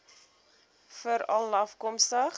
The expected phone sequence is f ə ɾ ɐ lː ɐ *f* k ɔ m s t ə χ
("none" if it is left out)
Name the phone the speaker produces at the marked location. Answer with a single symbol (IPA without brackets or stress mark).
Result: f